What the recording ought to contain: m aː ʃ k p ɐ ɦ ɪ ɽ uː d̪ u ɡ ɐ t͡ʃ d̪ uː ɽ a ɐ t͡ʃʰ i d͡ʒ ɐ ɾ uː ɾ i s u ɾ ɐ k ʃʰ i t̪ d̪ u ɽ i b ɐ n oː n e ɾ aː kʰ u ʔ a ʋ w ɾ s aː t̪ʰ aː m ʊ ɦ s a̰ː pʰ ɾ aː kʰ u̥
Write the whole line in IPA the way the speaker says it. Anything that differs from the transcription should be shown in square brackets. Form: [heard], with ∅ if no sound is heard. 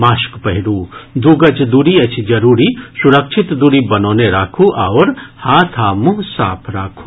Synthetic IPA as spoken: m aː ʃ k p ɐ ɦ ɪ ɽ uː d̪ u ɡ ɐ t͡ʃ d̪ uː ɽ [i] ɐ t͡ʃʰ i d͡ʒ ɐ ɾ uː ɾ i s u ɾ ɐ k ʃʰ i t̪ d̪ u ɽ i b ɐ n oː n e ɾ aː kʰ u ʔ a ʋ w ɾ [h] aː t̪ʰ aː m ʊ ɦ s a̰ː pʰ ɾ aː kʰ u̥